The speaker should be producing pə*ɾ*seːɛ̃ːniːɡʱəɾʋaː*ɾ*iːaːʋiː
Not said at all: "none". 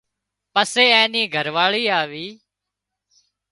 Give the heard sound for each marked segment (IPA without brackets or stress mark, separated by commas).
none, ɭ